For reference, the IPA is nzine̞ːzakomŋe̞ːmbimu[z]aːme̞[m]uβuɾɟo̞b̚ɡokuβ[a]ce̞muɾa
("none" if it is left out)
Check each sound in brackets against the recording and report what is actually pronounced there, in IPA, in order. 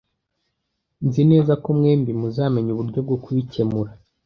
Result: z, ɲ, i

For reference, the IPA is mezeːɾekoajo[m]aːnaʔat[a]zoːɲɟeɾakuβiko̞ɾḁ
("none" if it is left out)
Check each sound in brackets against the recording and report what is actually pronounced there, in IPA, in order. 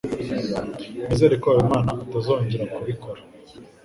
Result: m, a

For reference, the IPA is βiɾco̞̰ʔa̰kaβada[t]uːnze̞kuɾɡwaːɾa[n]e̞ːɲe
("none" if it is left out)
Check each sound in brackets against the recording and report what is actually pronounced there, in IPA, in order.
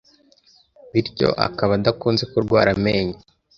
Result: k, m

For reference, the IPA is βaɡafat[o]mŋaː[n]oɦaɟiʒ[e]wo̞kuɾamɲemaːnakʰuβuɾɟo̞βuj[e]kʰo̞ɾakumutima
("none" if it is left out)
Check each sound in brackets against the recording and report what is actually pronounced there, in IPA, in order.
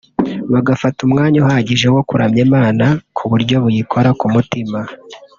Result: u, ɲ, e, i

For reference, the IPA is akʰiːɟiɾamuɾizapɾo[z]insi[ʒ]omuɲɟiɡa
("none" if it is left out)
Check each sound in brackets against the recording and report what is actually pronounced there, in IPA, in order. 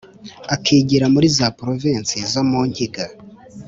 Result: v, z

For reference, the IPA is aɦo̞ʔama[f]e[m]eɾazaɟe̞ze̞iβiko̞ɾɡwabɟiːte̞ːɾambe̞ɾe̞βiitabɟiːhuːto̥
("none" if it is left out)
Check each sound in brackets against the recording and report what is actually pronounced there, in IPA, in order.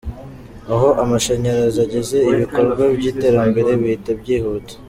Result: ʃ, ɲ

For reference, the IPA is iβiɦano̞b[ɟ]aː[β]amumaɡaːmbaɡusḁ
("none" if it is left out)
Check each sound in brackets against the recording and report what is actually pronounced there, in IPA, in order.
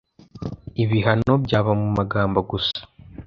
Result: ɟ, β

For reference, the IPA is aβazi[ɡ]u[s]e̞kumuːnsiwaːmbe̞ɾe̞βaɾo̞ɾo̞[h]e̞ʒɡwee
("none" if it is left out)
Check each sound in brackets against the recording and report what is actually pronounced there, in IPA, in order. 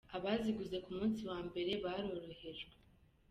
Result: ɡ, z, h

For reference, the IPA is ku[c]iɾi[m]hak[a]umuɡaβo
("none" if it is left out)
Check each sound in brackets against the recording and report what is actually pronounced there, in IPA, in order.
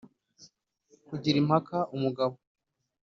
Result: ɟ, m, a

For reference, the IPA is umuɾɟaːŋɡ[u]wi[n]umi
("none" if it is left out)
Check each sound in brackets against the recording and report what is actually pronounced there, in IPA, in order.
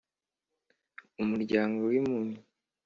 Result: o, m

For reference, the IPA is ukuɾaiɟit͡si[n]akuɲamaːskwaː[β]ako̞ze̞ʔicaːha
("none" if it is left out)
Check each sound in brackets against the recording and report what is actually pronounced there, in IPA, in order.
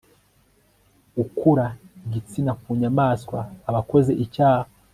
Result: n, β

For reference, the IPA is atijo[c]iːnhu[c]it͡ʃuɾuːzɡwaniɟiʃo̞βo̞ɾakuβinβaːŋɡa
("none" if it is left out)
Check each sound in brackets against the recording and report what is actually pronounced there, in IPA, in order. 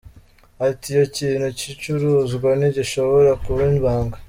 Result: c, c

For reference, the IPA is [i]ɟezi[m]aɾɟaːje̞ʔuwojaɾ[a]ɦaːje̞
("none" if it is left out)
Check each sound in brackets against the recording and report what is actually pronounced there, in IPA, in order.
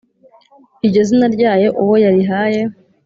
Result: i, n, i

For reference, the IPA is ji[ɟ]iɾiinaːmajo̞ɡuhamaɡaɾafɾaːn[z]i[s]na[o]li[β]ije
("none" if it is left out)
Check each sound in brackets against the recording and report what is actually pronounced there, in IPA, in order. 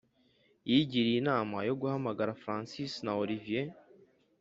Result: ɟ, s, s, o, v

